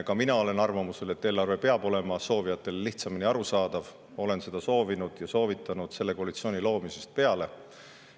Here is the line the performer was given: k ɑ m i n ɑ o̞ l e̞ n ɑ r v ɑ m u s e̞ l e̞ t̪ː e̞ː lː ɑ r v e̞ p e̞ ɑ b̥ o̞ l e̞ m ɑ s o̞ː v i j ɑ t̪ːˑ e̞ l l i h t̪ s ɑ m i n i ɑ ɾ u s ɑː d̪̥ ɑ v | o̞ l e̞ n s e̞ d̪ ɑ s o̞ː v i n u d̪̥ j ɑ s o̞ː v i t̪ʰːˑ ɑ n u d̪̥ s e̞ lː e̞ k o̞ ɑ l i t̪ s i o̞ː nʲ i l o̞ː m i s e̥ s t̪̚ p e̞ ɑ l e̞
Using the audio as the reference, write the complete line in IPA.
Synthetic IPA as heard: k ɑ m i n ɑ o̞ l e̞ n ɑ r v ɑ m u s e̞ l e̞ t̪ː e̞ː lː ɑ r v e̞ p e̞ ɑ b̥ o̞ l e̞ m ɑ s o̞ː v i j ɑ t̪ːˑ e̞ l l i h t̪ s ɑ m i n i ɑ ɾ u s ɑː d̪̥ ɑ v | o̞ l e̞ n s e̞ d̪ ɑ s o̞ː v i n u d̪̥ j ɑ s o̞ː v i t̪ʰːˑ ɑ n u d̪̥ s e̞ lː e̞ k o̞ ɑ l i t̪ s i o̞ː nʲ i l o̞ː m i s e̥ s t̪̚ p e̞ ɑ l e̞

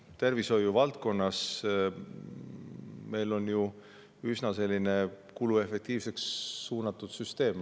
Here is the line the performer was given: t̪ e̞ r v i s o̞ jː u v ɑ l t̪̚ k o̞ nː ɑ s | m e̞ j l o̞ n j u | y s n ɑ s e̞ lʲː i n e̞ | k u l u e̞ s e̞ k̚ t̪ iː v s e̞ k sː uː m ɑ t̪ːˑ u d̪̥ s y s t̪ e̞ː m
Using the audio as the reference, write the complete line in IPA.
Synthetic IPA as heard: t̪ e̞ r v i s o̞ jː u v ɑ l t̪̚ k o̞ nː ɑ s | m e̞ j l o̞ n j u | y s n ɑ s e̞ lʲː i n e̞ | k u l u e̞ f e̞ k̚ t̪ iː v s e̞ k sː uː n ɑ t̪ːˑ u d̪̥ s y s t̪ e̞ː m

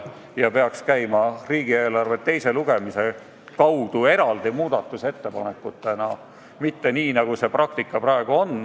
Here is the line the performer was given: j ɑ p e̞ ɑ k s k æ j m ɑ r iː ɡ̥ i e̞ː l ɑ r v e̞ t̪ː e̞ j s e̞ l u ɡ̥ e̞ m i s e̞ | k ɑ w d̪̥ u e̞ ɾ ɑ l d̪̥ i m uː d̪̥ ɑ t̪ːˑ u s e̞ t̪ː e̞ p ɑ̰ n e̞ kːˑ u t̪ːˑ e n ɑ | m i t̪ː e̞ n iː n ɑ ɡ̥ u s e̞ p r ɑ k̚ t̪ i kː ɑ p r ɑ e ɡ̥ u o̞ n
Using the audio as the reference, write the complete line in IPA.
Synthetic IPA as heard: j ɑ p e̞ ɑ k s k æ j m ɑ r iː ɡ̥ i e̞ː l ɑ r v e̞ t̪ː e̞ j s e̞ l u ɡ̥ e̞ m i s e̞ | k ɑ w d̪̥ u e̞ ɾ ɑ l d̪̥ i m uː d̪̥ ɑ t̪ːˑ u s e̞ t̪ː e̞ p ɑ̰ n e̞ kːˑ u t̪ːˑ e n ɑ | m i t̪ː e̞ n iː n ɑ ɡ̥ u s e̞ p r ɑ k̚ t̪ i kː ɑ p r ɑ e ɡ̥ u o̞ n

